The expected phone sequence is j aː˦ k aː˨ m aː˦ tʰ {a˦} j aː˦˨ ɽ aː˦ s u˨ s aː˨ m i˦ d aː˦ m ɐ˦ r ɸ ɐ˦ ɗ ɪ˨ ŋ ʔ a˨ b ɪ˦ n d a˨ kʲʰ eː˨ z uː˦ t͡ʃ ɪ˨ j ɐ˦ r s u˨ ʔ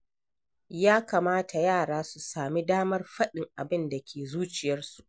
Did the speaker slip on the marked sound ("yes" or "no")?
yes